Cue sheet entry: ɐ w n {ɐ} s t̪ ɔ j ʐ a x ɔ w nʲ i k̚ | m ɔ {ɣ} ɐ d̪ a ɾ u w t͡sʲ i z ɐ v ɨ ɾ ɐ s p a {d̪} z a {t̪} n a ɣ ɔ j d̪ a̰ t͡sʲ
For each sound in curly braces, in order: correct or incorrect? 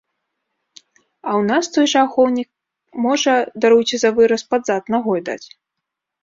incorrect, incorrect, correct, correct

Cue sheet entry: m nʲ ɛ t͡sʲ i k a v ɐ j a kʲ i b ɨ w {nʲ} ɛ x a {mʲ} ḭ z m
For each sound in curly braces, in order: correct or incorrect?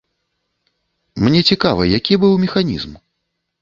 incorrect, incorrect

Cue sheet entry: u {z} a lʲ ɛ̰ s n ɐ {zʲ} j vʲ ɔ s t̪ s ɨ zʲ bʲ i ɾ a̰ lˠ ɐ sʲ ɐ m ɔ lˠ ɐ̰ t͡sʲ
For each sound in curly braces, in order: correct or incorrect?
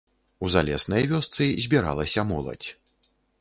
correct, incorrect

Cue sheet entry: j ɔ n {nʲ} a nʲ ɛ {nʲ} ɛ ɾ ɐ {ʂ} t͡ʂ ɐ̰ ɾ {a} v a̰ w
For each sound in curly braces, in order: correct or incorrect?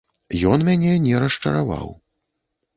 incorrect, correct, correct, correct

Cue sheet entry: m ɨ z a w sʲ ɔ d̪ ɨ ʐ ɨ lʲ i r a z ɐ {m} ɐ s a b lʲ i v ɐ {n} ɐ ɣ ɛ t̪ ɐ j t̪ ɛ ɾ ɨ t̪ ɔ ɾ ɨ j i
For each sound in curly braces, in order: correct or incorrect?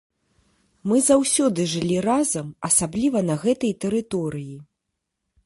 correct, correct

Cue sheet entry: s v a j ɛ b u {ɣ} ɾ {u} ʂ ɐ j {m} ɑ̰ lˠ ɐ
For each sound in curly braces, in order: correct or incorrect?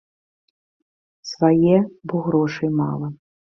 correct, incorrect, correct

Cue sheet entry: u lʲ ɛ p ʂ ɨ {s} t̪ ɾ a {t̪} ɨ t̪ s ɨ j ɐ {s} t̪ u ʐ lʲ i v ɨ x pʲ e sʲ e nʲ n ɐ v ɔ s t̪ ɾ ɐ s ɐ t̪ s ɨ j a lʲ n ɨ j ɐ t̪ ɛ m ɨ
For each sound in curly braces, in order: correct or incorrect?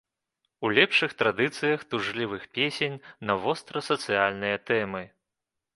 incorrect, incorrect, incorrect

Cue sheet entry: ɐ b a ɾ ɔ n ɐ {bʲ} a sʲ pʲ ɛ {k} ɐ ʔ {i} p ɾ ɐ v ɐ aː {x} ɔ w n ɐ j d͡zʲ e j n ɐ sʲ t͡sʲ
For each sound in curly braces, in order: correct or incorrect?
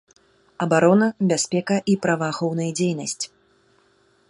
correct, correct, correct, correct

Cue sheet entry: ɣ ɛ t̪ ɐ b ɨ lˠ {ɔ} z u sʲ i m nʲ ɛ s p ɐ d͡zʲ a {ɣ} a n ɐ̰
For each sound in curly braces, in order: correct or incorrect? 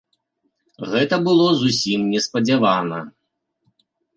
correct, incorrect

